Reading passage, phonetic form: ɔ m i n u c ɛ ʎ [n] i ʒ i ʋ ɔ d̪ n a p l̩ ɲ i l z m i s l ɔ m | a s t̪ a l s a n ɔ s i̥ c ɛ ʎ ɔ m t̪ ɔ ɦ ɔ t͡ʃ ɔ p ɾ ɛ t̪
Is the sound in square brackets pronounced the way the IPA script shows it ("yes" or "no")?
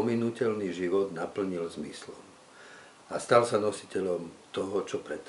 yes